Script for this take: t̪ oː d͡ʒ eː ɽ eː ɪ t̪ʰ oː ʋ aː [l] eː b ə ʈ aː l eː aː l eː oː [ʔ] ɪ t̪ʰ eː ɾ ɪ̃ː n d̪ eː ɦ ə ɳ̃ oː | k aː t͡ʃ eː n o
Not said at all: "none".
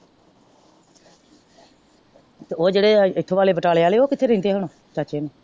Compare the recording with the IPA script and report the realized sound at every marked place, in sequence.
l, k

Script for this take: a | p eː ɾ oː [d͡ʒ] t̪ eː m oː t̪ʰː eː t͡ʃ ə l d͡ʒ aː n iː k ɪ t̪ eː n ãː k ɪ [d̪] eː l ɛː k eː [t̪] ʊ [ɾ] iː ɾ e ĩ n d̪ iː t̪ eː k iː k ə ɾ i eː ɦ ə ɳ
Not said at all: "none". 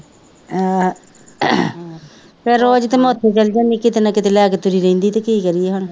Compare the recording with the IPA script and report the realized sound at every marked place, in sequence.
d͡ʒ, t̪, t̪, ɾ

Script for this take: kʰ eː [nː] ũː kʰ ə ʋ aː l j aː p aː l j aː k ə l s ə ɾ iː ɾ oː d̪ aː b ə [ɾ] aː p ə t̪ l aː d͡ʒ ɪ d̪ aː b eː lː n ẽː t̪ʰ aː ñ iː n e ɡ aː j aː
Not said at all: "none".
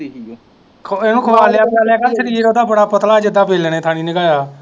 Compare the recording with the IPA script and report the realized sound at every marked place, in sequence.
n, ɽ

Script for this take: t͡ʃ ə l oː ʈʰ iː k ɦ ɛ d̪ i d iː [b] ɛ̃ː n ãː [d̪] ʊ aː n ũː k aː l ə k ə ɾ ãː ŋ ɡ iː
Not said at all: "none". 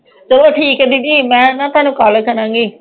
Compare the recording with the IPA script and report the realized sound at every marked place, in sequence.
m, t̪

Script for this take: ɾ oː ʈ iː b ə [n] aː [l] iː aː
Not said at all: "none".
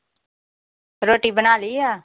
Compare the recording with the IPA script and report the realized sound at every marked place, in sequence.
n, l

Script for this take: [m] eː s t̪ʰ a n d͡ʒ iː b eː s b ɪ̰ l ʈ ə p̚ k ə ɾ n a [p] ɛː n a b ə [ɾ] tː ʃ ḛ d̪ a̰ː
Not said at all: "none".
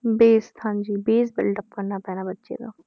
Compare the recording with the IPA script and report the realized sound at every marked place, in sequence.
b, p, none

